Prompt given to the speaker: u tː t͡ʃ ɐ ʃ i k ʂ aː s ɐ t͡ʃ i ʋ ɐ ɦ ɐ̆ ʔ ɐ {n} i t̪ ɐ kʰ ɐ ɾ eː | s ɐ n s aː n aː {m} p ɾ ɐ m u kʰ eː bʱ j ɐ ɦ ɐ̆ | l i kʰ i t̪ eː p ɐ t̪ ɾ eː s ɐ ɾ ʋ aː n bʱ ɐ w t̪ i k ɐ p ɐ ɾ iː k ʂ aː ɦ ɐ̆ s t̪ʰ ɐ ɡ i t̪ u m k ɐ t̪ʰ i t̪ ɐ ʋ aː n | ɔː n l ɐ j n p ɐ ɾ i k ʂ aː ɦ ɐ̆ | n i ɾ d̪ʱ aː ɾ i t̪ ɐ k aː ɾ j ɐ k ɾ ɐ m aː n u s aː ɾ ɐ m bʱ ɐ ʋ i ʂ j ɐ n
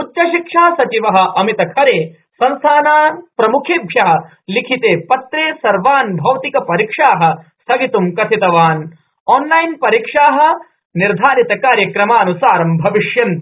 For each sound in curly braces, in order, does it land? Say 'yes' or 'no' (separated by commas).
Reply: no, no